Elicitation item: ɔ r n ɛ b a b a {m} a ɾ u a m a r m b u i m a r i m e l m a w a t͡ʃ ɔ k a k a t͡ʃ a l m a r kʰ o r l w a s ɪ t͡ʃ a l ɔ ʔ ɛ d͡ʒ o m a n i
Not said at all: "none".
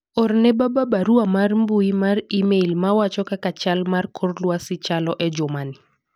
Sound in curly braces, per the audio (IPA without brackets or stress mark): b